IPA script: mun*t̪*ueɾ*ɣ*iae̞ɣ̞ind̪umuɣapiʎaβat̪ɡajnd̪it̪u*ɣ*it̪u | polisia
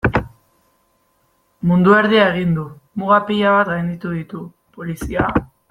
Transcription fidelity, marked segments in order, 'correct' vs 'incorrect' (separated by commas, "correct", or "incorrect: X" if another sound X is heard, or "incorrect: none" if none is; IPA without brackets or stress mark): incorrect: d̪, incorrect: ð, incorrect: ð